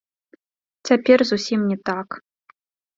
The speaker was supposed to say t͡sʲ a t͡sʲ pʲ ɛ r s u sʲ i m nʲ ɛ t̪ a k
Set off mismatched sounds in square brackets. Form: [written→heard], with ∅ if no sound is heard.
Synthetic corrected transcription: t͡sʲ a [t͡sʲ→∅] pʲ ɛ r [s→z] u sʲ i m nʲ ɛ t̪ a k